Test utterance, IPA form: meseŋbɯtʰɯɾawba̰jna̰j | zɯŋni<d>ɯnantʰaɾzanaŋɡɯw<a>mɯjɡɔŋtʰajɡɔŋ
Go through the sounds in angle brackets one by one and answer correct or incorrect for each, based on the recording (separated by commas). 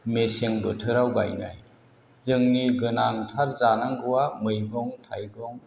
incorrect, correct